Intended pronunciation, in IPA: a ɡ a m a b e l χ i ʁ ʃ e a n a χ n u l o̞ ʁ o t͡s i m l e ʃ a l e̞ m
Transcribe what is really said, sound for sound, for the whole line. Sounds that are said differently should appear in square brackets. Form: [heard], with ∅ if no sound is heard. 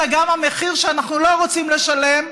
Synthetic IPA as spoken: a ɡ a m a [m] e [∅] χ i ʁ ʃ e a n a χ n u l o̞ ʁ o t͡s i m l e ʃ a l e̞ m